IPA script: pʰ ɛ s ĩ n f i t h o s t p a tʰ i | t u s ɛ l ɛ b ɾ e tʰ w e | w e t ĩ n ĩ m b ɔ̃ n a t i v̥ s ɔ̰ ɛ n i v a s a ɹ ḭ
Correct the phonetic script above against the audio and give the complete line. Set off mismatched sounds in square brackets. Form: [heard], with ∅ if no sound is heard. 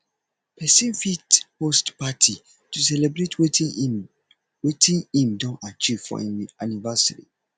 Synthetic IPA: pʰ ɛ s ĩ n f i t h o s t p a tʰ i | t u s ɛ l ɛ b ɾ e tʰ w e | w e t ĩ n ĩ m [d] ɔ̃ n a [t͡ʃ] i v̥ [f] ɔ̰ [a] n i v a s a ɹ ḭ